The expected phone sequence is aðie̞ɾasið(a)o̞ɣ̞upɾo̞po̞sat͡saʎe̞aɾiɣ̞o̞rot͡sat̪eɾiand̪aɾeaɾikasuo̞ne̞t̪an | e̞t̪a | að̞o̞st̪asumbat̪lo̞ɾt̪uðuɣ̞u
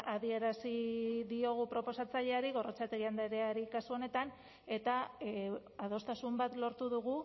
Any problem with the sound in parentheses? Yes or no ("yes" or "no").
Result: yes